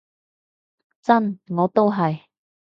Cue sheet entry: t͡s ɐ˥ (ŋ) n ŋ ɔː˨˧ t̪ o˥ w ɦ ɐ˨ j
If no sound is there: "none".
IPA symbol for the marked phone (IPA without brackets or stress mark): none